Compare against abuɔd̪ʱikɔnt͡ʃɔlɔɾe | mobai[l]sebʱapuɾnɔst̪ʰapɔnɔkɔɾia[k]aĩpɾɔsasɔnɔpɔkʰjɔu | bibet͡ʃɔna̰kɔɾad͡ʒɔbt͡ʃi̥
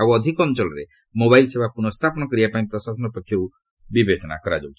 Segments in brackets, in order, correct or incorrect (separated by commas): correct, incorrect